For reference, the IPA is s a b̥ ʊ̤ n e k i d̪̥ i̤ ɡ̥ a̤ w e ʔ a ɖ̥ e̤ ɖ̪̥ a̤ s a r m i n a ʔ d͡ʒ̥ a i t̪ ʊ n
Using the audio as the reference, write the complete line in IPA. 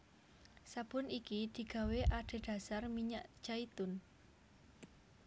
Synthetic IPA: s a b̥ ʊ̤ n i k i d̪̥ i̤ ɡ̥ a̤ w e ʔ a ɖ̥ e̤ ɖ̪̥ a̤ s a r m i ɲ a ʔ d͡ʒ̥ a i t̪ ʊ n